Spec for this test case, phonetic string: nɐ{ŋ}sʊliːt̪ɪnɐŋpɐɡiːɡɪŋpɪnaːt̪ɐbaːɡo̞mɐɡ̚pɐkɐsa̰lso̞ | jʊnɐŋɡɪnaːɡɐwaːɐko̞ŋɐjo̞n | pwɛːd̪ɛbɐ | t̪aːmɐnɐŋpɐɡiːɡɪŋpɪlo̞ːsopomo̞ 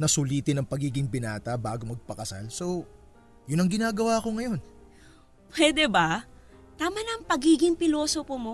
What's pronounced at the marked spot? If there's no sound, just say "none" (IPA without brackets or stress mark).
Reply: none